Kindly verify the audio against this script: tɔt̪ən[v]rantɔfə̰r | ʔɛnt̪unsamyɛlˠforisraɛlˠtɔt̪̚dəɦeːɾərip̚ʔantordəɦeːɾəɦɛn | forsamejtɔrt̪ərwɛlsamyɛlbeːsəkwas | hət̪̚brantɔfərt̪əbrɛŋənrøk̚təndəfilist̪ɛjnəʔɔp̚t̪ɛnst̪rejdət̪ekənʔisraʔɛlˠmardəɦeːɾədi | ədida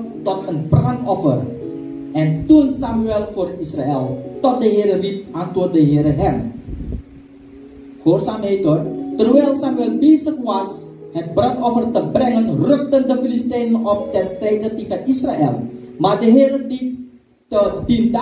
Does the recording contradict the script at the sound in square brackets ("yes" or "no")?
yes